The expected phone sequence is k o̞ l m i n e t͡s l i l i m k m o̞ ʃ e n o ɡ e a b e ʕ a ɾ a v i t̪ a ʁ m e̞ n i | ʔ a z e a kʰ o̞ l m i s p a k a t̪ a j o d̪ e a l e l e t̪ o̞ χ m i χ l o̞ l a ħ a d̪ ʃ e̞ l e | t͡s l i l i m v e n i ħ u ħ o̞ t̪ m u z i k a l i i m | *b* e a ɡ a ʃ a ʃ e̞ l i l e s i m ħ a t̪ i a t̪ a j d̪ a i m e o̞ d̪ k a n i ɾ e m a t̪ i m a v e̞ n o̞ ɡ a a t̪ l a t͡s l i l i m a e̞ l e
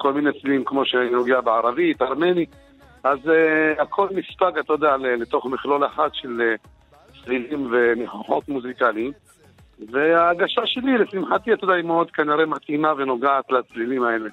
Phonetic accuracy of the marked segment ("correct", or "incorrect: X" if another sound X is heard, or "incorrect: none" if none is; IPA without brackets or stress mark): incorrect: v